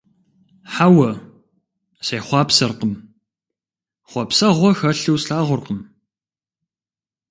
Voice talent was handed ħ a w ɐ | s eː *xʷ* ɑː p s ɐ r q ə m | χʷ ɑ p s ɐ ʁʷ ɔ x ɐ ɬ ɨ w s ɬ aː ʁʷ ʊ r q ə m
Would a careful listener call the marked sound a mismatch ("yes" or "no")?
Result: yes